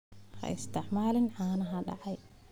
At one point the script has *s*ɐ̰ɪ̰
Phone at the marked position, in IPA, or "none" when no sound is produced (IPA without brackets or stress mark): h